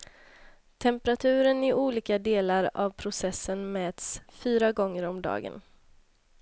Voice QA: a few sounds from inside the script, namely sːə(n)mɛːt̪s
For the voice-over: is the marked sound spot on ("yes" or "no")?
yes